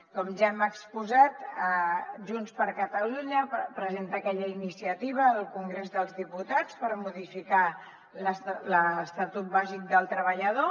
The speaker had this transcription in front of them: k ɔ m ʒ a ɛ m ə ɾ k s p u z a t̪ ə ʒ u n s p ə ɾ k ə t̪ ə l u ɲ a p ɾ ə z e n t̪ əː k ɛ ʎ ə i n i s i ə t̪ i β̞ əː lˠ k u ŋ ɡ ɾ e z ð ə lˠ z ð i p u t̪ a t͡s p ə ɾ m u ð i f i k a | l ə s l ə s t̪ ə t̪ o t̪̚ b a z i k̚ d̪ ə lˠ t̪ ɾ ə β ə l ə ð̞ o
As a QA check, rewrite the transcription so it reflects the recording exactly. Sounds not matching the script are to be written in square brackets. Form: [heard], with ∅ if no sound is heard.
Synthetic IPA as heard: k ɔ m ʒ a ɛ m ə [∅] k s p u z a t̪ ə ʒ u n s p ə ɾ k ə t̪ ə l u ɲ [ə] p ɾ ə z e n t̪ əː k ɛ ʎ ə i n i s i ə t̪ i β̞ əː lˠ k u ŋ ɡ ɾ e z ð ə lˠ z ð i p u t̪ a t͡s p ə ɾ m u ð i f i k a | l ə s l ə s t̪ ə t̪ [u] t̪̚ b a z i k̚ d̪ ə lˠ t̪ ɾ ə β ə [ʎ] ə ð̞ o

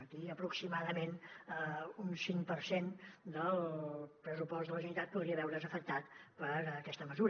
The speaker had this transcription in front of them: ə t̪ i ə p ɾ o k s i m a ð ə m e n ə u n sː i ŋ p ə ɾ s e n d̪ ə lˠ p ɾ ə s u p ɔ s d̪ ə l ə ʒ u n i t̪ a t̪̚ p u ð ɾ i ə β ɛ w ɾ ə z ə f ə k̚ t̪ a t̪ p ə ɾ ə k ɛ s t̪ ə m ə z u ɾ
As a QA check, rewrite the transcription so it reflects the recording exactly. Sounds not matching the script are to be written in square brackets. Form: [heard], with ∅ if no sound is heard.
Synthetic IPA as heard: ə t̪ i ə p ɾ [u] k s i m a ð ə m e n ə u n [s] i ŋ p ə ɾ s e n d̪ ə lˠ p ɾ ə s u p ɔ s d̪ ə l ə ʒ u n i t̪ a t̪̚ p u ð ɾ i ə β ɛ w ɾ ə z ə f ə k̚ t̪ a t̪ p ə ɾ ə k ɛ s t̪ ə m ə z u ɾ

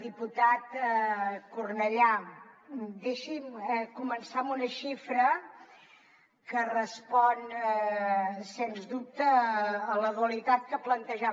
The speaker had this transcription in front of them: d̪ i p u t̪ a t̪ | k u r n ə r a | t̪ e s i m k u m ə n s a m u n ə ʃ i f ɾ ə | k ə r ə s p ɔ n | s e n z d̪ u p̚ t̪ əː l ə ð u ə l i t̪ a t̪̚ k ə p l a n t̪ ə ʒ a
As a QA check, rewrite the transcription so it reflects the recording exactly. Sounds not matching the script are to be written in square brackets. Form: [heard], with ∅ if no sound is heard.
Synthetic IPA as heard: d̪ i p u t̪ a t̪ | k u r n ə [ʎ] a | [d̪] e [ʃ] i m k u m ə n s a m u n ə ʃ i f ɾ ə | k ə r ə s p ɔ n | s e n z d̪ u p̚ t̪ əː l ə ð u ə l i t̪ a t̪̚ k ə p l [ə] n t̪ ə ʒ a

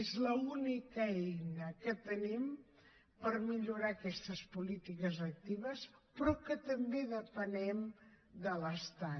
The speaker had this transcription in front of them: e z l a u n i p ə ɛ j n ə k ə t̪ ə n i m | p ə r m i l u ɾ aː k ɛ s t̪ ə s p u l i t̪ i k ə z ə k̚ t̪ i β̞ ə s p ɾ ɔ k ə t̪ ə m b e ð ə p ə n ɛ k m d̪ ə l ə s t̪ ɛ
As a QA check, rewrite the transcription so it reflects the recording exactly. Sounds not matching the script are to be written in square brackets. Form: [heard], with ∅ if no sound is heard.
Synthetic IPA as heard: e z l [ə] u n i [k] ə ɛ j n ə k ə t̪ ə n i m | p ə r m i [ʎ] u ɾ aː k ɛ s t̪ ə s p u l i t̪ i k ə z ə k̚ t̪ i β̞ ə s p ɾ ɔ k ə t̪ ə m b e ð ə p ə n ɛ [∅] m d̪ ə l ə s t̪ [a]

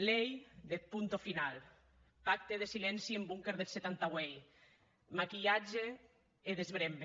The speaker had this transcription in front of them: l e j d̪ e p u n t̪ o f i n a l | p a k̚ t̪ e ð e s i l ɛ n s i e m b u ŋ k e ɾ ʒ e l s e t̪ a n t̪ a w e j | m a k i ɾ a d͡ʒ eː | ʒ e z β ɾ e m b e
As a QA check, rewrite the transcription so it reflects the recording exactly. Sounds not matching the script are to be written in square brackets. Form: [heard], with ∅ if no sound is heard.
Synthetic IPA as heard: l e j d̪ e p u n t̪ o f i n a l | p a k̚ t̪ e ð e s i l ɛ n s i e m b u ŋ k e ɾ [ð] e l s e t̪ a n t̪ a w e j | m a k i [ʎ] a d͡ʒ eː | [ð] e z β ɾ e m b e

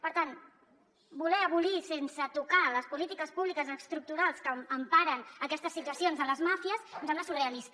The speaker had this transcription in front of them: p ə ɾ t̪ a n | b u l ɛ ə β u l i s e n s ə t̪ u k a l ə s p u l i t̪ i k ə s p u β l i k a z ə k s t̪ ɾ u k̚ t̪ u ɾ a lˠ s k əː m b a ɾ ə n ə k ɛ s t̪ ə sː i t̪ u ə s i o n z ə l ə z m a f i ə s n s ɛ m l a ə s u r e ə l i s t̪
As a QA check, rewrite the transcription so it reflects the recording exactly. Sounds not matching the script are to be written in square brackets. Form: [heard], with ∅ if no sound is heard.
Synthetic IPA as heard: p ə ɾ t̪ a n | b u l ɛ ə β u l i s e n s ə t̪ u k a l ə s p u l i t̪ i k ə s p u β l i k [ə] z ə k s t̪ ɾ u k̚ t̪ u ɾ a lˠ s k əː m [p] a ɾ ə n ə k ɛ s t̪ ə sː i t̪ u ə s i o n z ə l ə z m a f i ə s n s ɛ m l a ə s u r e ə l i s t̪

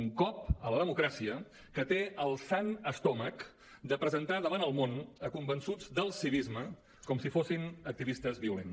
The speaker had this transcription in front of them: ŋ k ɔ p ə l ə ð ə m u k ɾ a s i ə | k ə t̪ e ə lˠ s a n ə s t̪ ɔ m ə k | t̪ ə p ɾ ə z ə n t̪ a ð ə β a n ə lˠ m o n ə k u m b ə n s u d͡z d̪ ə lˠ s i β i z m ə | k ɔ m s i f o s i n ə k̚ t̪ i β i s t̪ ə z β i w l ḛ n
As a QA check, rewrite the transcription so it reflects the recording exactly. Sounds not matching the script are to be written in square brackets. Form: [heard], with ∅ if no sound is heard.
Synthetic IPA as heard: ŋ k ɔ p ə l ə ð ə m u k ɾ a s i ə | k ə t̪ e ə lˠ s a n ə s t̪ ɔ m ə k | [d̪] ə p ɾ ə z ə n t̪ a ð ə β a n ə lˠ m o n ə k u m b ə n s u d͡z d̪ ə lˠ s i β i z m ə | k ɔ m s i f o s i n ə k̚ t̪ i β i s t̪ ə z β i [u] l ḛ n

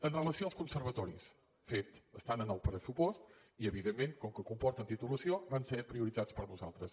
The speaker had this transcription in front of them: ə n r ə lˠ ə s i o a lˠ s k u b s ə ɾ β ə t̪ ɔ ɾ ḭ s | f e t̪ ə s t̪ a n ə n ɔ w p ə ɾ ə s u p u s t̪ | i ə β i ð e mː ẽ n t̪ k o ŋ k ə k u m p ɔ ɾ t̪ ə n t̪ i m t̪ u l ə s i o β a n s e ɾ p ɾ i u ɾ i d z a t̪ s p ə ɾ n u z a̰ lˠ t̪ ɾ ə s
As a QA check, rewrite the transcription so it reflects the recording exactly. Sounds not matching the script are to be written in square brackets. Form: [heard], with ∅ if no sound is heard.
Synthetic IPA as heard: ə n r ə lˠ ə s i o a lˠ s k u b s ə ɾ β ə t̪ ɔ ɾ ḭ s | f e t̪ ə s t̪ a n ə n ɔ w p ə ɾ ə s u p [ɔ] s t̪ | i ə β i ð e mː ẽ n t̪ k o ŋ k ə k u m p ɔ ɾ t̪ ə n t̪ i [∅] t̪ u l ə s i o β a n s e ɾ p ɾ i u ɾ i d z a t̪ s p ə ɾ n u z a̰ lˠ t̪ ɾ ə s

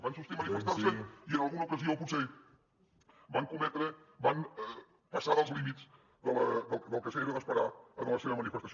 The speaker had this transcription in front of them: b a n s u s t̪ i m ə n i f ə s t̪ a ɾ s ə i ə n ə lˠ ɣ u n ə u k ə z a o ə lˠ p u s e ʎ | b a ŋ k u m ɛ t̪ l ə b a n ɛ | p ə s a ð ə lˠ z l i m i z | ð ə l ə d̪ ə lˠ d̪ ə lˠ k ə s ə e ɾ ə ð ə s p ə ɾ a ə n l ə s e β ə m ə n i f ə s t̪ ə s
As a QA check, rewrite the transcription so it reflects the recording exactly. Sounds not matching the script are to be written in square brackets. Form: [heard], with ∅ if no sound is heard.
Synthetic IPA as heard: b a n s u s t̪ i m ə n i f ə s t̪ a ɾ s ə i ə n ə lˠ ɣ u n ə u k ə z [i] o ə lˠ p u s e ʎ | b a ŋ k u m ɛ t̪ [ɾ] ə b a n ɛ | p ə s a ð ə lˠ z l i m i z | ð ə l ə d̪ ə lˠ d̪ ə lˠ k ə s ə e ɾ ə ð ə s p ə ɾ a ə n l ə s e β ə m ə n i f ə s t̪ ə s

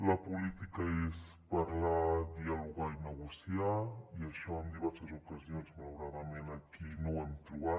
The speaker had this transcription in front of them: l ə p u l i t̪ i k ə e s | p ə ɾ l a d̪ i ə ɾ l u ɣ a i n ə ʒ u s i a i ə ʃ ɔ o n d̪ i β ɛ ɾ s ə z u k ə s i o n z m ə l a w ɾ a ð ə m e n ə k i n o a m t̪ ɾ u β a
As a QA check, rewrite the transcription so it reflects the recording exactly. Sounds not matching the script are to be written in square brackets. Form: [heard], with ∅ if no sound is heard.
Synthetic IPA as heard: l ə p u l i t̪ i k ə e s | p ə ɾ l a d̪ i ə [∅] l u ɣ a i n ə [ɣ] u s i a i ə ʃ ɔ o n d̪ i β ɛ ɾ s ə z u k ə [z] i o n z m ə l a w ɾ a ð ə m e n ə k i n o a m t̪ ɾ u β a

